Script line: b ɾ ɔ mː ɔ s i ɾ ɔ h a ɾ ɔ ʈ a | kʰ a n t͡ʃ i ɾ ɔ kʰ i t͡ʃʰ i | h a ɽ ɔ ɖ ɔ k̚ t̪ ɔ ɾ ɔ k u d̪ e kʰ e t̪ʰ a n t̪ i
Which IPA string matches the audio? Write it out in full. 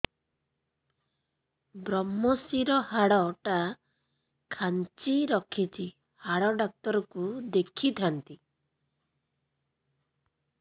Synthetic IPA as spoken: b ɾ ɔ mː ɔ s i ɾ ɔ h a ɽ ɔ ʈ a | kʰ a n t͡ʃ i ɾ ɔ kʰ i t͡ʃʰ i | h a ɽ ɔ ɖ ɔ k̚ t̪ ɔ ɾ ɔ k u d̪ e kʰ i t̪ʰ a n t̪ i